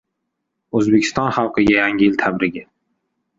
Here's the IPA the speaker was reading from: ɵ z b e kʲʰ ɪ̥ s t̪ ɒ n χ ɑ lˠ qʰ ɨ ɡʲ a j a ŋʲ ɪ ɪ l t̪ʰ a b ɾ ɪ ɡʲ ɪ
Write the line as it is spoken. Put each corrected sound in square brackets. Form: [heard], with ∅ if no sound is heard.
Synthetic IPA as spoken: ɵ z b e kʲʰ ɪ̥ s t̪ ɒ n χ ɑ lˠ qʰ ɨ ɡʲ a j a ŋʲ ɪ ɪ l t̪ʰ a b ɾ ɪ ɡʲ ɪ